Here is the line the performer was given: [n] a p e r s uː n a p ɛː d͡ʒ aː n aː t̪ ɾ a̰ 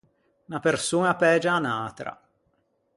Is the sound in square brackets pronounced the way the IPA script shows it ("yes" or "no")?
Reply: yes